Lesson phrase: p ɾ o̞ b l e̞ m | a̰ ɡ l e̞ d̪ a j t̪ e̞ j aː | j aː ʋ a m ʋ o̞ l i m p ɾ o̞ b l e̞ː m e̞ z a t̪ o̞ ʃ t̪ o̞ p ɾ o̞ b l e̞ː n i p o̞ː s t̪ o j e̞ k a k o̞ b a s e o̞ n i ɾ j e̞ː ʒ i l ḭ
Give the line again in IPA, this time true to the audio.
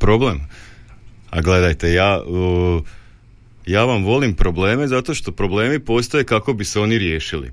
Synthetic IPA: p ɾ o̞ b l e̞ m | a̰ ɡ l e̞ d̪ a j t̪ e̞ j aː | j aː ʋ a m ʋ o̞ l i m p ɾ o̞ b l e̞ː m e̞ z a t̪ o̞ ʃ t̪ o̞ p ɾ o̞ b l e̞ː m i p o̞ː s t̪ o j e̞ k a k o̞ b i s e o̞ n i ɾ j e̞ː ʃ i l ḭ